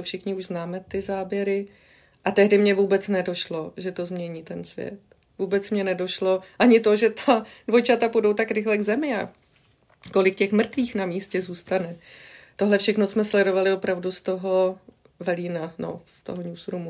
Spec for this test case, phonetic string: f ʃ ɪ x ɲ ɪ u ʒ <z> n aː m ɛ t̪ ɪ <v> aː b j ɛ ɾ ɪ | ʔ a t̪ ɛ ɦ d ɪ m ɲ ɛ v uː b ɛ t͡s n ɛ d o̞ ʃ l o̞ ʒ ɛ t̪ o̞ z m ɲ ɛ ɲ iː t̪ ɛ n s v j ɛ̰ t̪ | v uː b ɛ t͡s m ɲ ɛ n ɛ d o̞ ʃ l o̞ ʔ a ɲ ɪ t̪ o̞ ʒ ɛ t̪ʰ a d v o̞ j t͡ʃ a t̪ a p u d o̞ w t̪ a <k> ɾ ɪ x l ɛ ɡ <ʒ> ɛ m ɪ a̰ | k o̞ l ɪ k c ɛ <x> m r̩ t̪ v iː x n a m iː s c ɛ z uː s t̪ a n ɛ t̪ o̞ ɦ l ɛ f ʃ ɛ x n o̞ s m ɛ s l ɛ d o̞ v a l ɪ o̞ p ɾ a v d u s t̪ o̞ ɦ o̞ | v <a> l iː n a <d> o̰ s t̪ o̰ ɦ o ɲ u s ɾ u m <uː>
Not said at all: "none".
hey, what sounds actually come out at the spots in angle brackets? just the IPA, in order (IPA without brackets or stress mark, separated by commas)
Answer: z, z, k, z, x, ɛ, n, u